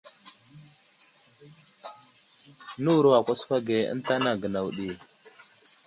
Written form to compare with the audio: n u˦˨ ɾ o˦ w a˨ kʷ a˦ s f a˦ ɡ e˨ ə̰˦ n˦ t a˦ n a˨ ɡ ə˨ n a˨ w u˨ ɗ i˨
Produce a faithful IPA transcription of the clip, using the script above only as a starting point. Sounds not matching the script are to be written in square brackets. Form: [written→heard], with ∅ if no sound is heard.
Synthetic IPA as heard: n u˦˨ ɾ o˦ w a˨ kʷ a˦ s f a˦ ɡ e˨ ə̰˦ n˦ t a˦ n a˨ ɡ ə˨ n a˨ w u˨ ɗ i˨